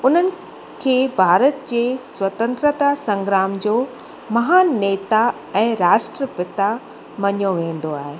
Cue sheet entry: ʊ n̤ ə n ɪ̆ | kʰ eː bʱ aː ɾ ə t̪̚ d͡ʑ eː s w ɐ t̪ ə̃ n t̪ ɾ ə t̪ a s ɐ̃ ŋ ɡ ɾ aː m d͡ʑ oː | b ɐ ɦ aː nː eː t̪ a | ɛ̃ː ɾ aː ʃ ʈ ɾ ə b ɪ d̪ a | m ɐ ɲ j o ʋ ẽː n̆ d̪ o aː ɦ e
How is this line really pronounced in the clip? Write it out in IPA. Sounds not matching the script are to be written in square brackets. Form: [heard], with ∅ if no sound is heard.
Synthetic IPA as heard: ʊ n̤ ə n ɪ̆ | kʰ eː bʱ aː ɾ ə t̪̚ d͡ʑ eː s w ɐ t̪ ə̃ n t̪ ɾ ə t̪ a s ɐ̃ ŋ ɡ ɾ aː m d͡ʑ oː | [m] ɐ ɦ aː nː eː t̪ a | ɛ̃ː ɾ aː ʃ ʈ ɾ ə [p] ɪ [t̪] a | m ɐ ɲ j o ʋ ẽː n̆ d̪ o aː ɦ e